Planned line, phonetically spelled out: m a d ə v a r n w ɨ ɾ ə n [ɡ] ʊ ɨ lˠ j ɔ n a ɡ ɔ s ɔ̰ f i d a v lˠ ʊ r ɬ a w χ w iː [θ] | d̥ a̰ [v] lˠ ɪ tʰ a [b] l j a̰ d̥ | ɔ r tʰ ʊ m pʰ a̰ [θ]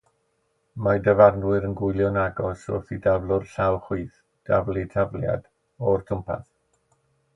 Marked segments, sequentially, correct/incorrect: correct, correct, correct, incorrect: v, correct

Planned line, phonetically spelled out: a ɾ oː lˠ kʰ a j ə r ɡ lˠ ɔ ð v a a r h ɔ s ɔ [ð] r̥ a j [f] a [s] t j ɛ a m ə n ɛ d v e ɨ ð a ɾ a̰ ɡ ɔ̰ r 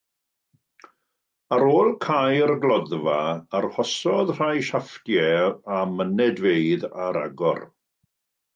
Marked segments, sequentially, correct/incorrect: correct, incorrect: ʃ, incorrect: f

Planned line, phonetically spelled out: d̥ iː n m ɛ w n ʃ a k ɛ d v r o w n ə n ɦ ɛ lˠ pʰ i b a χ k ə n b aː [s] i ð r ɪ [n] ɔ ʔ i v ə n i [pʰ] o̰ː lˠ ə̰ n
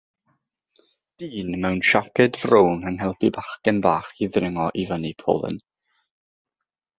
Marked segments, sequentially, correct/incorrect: incorrect: χ, incorrect: ŋ, correct

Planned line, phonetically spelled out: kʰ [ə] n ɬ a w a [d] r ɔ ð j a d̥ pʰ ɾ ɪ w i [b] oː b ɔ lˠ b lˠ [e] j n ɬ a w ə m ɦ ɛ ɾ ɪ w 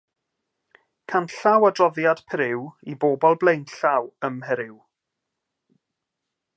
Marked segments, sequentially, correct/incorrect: incorrect: a, correct, correct, correct

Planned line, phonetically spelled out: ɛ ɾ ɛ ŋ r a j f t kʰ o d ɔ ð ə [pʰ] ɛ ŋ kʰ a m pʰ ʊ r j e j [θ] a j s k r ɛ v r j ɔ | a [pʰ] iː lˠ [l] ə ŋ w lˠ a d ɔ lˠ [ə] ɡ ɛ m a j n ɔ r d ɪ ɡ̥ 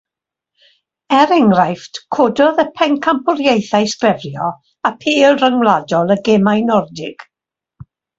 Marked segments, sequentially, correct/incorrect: correct, correct, correct, incorrect: r, correct

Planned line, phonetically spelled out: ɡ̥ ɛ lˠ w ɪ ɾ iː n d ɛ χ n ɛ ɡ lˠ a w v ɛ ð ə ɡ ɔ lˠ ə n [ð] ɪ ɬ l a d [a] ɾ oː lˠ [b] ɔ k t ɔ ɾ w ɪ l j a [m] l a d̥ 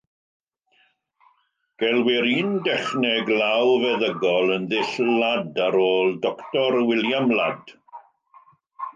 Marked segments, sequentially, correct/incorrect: correct, correct, incorrect: d, correct

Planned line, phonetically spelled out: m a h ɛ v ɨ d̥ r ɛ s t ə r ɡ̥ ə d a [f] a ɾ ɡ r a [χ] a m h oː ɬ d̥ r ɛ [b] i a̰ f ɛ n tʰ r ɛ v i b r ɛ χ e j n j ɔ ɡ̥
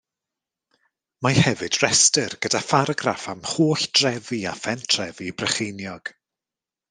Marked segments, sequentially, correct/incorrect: correct, incorrect: f, incorrect: v

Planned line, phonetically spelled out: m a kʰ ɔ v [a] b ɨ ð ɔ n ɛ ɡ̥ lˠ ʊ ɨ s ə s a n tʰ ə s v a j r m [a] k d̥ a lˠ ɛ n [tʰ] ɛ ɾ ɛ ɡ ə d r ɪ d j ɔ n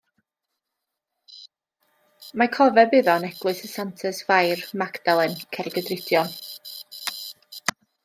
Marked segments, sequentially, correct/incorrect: incorrect: ɛ, correct, incorrect: kʰ

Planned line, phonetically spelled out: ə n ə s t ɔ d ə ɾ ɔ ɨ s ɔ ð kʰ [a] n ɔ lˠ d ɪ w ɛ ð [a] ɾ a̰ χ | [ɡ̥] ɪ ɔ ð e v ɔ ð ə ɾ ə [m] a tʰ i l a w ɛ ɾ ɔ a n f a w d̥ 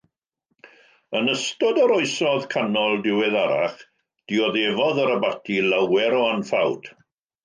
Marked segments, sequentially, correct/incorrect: correct, correct, incorrect: d̥, incorrect: b

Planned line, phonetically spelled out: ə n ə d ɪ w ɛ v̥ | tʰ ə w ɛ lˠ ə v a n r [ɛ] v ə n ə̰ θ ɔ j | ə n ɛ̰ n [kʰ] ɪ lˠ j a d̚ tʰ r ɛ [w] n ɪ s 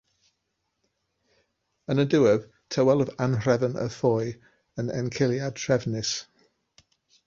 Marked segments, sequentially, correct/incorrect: correct, correct, incorrect: v

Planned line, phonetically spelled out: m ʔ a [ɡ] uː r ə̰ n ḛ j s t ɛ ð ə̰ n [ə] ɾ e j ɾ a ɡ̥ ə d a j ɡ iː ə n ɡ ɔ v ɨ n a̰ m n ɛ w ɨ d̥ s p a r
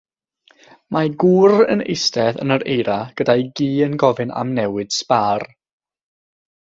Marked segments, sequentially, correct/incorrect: correct, correct

